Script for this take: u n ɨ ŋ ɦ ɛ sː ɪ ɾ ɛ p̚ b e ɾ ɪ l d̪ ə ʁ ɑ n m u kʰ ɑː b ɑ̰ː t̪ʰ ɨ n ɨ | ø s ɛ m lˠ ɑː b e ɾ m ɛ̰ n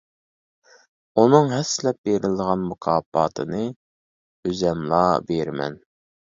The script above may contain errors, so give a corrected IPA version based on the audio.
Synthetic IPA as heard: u n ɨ ŋ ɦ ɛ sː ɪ l ɛ p̚ b e ɾ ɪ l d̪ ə ʁ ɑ n m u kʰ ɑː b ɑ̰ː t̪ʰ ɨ n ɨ | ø z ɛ m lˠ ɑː b e ɾ m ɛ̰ n